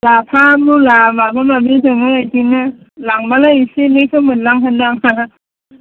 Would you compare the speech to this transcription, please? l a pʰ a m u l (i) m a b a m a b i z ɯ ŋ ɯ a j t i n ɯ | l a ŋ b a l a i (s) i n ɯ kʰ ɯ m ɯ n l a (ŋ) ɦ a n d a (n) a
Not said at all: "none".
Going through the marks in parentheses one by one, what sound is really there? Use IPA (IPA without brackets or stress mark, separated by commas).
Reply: a, s, ŋ, ŋ